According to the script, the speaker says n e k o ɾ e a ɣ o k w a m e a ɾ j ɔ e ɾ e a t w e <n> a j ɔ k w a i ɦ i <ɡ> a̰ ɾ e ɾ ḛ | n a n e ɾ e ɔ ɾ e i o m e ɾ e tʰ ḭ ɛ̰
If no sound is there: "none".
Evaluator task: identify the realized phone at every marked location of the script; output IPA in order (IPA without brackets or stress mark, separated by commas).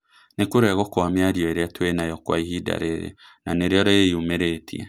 n, d